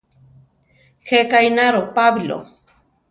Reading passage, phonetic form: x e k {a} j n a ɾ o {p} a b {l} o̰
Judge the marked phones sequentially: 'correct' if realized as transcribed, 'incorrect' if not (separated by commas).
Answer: correct, correct, correct